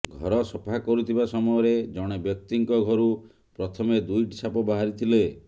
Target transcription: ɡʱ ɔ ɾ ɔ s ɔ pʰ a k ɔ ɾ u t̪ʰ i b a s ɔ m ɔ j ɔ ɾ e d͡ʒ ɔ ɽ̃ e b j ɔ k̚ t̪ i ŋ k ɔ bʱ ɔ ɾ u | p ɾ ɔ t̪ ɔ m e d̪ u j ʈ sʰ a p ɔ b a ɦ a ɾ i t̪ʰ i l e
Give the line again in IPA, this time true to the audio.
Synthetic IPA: ɡʱ ɔ ɾ ɔ s ɔ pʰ a k ɔ ɾ u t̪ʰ i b a s ɔ m ɔ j ɔ ɾ e d͡ʒ ɔ ɽ̃ e b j ɔ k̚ t̪ i ŋ k ɔ ɡʱ ɔ ɾ u | p ɾ ɔ t̪ʰ ɔ m e d̪ u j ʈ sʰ a p ɔ b a ɦ a ɾ i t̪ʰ i l e